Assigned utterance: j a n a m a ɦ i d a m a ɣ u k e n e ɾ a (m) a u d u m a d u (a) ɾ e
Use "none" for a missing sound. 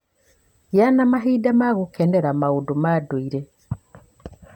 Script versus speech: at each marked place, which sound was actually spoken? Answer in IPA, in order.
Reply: m, i

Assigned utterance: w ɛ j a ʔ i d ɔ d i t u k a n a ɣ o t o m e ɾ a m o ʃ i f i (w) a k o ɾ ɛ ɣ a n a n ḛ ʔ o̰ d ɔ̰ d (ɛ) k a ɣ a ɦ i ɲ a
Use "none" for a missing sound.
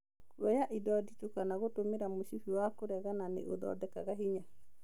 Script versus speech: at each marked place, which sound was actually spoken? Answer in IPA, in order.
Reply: w, ɛ

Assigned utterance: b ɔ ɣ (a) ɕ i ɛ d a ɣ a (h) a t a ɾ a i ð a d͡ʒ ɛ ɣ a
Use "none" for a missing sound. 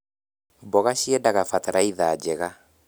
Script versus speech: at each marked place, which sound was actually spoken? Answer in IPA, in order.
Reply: a, f

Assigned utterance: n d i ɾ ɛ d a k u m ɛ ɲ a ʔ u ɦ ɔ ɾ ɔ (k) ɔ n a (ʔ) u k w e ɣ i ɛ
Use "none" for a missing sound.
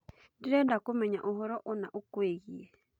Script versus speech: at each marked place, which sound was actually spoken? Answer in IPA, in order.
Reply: ʔ, ʔ

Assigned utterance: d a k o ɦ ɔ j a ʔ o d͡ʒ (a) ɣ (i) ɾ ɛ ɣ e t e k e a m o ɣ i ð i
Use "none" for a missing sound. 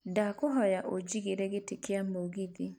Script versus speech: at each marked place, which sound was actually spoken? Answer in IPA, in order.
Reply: i, e

